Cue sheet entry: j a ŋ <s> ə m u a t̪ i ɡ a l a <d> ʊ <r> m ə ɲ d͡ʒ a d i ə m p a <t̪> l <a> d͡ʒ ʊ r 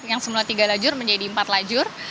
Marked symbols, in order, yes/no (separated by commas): yes, no, yes, yes, yes